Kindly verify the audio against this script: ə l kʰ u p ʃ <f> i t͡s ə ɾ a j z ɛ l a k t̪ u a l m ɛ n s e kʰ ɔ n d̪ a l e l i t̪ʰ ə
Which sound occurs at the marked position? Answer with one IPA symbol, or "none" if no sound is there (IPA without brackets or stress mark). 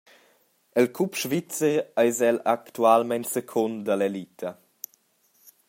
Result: v